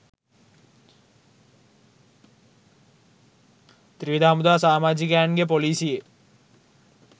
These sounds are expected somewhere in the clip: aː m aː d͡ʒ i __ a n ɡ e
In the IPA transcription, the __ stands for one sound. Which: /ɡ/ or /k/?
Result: k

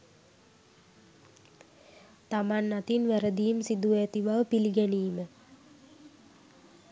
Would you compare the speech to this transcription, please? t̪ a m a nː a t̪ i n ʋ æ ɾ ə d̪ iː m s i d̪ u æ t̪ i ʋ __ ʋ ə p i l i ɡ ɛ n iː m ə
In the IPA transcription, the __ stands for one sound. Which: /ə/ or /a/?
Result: a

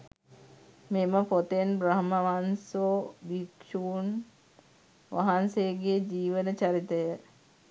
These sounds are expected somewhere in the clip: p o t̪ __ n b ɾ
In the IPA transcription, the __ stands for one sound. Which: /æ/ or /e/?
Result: e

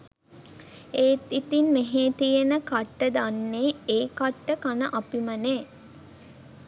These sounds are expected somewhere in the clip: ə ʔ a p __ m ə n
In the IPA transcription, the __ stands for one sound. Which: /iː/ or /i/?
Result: i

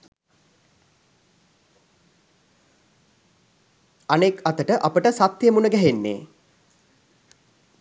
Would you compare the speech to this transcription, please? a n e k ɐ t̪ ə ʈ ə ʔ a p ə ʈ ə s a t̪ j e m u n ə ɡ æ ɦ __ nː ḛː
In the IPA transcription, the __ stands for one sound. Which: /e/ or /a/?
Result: e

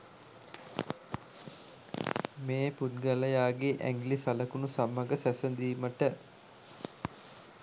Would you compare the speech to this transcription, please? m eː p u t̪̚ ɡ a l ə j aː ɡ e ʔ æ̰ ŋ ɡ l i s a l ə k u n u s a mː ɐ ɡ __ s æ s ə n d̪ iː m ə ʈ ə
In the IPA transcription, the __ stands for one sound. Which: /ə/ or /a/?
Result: ə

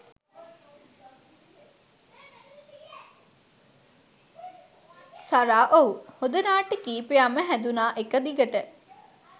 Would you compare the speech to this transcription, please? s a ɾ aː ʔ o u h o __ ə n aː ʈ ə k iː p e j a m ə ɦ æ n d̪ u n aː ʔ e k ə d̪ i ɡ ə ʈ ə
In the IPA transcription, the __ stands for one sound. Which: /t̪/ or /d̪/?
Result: d̪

